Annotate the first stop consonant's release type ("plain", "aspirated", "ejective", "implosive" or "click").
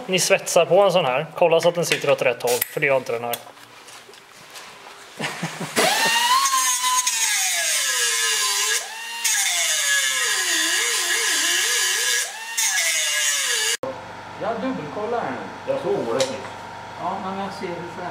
plain